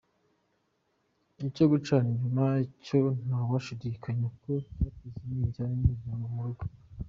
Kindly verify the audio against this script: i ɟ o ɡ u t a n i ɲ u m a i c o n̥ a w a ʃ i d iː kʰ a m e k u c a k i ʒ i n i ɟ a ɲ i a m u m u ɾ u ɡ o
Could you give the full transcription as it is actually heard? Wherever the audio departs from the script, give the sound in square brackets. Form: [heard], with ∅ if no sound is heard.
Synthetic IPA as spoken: i [c] o ɡ u [t͡ʃ] a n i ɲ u m a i c o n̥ a w a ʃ i d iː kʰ a [ɲ] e k [o] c a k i [z] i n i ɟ a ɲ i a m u m u ɾ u ɡ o